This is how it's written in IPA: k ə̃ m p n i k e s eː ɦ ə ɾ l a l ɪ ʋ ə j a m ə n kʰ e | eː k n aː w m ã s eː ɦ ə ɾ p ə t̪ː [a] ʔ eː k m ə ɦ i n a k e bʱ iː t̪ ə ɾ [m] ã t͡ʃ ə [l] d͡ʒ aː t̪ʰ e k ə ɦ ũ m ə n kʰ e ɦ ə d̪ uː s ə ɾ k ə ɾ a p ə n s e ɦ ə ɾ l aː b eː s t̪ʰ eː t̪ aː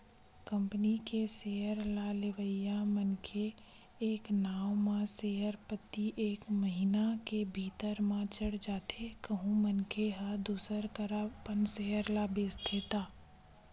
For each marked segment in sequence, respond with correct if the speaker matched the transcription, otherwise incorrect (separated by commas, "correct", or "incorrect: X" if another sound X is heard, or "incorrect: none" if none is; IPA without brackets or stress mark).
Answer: incorrect: i, correct, incorrect: ɽ